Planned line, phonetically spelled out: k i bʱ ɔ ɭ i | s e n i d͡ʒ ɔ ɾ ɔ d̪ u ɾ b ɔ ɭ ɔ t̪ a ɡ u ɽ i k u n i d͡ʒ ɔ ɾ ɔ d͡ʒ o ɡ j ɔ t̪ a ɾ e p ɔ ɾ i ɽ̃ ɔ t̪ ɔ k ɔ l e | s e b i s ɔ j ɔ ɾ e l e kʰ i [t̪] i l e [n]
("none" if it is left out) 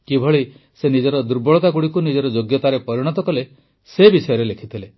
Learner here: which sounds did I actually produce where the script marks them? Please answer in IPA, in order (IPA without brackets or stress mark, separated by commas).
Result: t̪ʰ, none